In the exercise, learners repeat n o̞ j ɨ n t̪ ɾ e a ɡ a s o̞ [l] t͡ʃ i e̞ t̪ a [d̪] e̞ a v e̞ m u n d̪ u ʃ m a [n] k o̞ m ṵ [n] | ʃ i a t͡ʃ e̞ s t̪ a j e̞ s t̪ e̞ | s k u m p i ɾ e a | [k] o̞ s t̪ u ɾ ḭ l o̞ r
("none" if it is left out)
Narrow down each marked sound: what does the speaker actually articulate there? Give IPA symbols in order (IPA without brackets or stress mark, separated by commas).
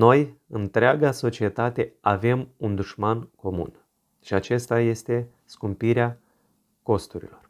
none, t̪, n, n, k